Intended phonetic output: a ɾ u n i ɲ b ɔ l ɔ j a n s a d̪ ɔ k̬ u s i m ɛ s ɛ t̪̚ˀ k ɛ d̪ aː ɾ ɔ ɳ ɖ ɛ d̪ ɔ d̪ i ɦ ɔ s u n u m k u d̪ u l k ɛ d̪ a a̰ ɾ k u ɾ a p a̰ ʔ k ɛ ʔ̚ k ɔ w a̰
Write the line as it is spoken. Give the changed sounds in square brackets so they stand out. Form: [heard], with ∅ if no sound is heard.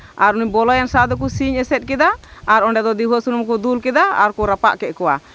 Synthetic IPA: a ɾ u n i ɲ b ɔ l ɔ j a n s a d̪ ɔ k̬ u s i [ɲ] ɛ s ɛ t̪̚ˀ k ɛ d̪ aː ɾ ɔ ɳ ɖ ɛ d̪ ɔ d̪ i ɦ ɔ s u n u m k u d̪ u l k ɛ d̪ a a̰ ɾ k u ɾ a p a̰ ʔ k ɛ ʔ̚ k ɔ w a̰